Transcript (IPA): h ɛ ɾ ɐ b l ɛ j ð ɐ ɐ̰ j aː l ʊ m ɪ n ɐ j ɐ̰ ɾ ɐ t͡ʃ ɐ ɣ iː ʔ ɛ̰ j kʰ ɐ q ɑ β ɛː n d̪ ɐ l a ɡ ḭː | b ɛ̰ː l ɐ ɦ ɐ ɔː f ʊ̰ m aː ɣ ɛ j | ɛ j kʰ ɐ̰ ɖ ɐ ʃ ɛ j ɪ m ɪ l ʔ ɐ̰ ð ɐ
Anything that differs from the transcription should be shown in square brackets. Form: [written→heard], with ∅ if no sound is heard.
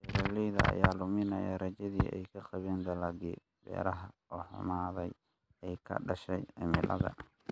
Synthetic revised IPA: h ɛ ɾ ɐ [b→∅] l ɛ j ð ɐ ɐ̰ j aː l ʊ m ɪ n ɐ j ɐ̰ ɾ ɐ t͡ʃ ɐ [ɣ→ð] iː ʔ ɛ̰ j kʰ ɐ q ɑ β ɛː n d̪ ɐ l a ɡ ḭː | b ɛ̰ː [l→ɾ] ɐ ɦ ɐ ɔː [f→ħ] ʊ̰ m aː [ɣ→ð] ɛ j | ɛ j kʰ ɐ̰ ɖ ɐ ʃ ɛ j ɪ m ɪ l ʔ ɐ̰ ð ɐ